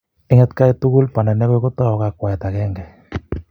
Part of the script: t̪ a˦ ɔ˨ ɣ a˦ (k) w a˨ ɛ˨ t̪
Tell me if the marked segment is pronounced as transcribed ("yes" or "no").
yes